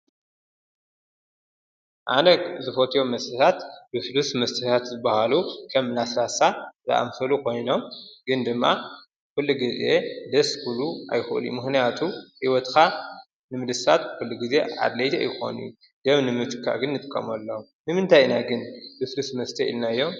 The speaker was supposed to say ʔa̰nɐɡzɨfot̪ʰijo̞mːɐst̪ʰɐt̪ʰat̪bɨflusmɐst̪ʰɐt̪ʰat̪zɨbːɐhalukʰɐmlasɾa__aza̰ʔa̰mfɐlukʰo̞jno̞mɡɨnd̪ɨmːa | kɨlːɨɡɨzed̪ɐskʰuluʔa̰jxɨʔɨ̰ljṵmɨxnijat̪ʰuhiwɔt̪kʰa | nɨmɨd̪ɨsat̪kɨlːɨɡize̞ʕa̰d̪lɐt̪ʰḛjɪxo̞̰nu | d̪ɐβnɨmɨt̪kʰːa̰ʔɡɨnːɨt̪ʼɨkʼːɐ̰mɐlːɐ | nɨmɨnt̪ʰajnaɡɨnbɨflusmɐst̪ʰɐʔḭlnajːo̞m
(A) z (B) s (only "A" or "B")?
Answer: B